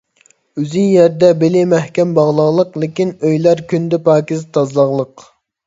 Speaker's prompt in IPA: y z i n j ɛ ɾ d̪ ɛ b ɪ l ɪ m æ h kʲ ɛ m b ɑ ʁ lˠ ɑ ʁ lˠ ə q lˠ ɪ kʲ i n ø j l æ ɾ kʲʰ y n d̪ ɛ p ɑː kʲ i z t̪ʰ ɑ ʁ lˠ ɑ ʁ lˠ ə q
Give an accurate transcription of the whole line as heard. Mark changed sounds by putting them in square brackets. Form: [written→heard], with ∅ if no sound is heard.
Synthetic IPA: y z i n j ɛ ɾ d̪ ɛ b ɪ l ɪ m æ h kʲ ɛ m b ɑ ʁ lˠ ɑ ʁ lˠ ə q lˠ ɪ kʲ i n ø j l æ ɾ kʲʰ y n d̪ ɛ p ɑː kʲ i z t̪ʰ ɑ [ʁ→z] lˠ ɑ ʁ lˠ ə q